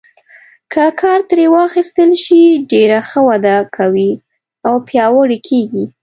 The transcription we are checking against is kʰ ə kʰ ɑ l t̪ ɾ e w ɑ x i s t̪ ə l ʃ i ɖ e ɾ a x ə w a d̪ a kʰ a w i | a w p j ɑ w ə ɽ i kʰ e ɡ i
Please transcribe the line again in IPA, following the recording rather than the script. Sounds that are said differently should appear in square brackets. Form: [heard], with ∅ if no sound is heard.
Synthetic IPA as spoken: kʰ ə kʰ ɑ [ɾ] t̪ ɾ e w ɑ x i s t̪ ə l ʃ i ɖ e ɾ a x ə w a d̪ a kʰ a w i | a w p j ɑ w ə ɽ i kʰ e ɡ i